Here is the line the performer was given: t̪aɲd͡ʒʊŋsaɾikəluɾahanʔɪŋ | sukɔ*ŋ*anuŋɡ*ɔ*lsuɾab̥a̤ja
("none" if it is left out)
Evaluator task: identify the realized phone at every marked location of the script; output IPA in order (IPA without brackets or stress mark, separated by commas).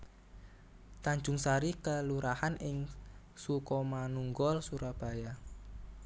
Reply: m, ɔ